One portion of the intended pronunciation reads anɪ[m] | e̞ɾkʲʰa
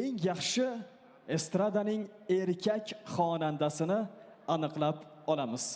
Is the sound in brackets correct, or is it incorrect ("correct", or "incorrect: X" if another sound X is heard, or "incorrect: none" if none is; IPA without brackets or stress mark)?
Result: incorrect: ŋ